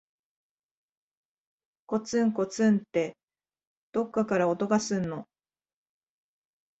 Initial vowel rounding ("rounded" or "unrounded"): rounded